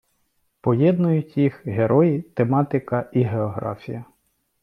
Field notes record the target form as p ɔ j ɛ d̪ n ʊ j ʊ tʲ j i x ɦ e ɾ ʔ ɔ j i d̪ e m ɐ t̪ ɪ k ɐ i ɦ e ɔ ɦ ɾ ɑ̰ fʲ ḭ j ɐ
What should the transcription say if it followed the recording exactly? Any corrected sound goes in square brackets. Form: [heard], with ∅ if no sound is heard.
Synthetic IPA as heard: p ɔ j ɛ d̪ n ʊ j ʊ tʲ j i x ɦ e ɾ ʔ ɔ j i [t̪] e m [ɑ] t̪ ɪ k ɐ i ɦ e ɔ ɦ ɾ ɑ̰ fʲ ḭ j ɐ